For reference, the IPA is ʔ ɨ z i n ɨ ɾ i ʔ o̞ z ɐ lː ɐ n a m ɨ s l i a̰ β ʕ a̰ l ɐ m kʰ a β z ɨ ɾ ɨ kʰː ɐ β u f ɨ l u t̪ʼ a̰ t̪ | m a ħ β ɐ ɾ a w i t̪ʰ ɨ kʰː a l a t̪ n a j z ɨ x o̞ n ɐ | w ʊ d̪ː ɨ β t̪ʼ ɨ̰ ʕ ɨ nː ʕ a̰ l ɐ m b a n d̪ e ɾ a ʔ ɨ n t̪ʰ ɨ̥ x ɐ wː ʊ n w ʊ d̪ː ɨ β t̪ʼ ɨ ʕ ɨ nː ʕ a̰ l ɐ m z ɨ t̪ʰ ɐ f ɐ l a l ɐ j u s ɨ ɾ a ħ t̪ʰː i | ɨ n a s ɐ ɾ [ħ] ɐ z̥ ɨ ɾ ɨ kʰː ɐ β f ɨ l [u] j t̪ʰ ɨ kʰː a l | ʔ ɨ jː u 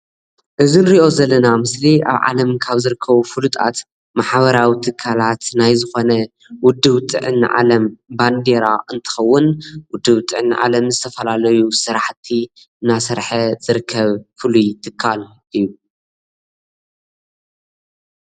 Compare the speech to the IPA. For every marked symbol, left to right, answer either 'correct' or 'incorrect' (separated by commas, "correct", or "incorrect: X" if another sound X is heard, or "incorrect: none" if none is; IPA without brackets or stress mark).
correct, correct